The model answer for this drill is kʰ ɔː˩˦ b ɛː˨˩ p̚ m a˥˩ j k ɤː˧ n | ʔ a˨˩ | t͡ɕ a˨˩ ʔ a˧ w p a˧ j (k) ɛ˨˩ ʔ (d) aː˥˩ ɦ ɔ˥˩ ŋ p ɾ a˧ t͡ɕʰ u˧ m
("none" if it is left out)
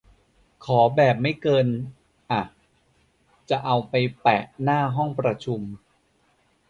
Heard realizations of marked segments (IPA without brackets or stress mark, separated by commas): p, n